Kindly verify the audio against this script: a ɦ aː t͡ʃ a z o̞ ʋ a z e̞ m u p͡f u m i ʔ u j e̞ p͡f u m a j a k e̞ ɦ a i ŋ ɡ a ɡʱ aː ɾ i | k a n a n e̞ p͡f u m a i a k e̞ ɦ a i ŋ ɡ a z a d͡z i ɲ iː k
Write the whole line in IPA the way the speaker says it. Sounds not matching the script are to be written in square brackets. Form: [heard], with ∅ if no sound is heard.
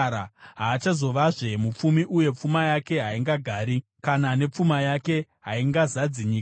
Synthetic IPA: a ɦ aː t͡ʃ a z o̞ ʋ a [ʐ] e̞ m u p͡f u m i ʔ u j e̞ p͡f u m a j a k e̞ ɦ a i ŋ ɡ a ɡʱ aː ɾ i | k a n a n e̞ p͡f u m a [j] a k e̞ ɦ a i ŋ ɡ a z a d͡z i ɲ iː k